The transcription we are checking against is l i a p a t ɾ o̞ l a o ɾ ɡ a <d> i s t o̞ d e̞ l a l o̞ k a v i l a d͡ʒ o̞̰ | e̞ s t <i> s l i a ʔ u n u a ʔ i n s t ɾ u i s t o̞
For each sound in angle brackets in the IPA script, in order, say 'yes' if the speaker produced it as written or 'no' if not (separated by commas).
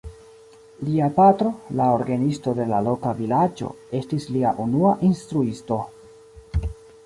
no, yes